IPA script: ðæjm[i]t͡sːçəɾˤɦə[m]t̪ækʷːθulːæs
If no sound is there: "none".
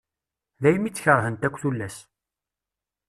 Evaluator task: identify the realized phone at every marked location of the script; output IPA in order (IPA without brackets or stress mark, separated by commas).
i, n